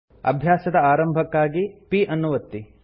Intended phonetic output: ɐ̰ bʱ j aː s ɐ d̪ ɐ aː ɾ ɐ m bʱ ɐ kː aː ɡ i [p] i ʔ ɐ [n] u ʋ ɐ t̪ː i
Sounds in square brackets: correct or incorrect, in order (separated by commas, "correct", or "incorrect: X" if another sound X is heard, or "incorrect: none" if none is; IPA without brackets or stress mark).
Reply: correct, incorrect: nː